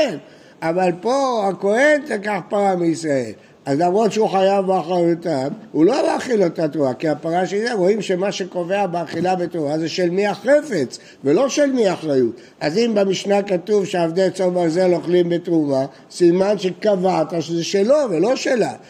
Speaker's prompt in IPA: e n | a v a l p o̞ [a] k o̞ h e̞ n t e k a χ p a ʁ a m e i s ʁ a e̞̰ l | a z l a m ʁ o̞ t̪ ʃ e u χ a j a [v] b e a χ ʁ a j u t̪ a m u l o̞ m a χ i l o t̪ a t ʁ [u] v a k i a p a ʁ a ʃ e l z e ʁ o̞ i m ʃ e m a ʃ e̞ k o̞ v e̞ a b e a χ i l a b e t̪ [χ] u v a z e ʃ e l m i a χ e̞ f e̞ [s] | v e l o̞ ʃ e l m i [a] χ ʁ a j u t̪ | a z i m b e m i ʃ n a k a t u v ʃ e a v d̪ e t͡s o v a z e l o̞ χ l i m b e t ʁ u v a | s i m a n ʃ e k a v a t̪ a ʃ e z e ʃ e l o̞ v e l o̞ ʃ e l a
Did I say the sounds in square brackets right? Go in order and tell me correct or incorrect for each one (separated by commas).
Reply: correct, correct, correct, incorrect, incorrect, correct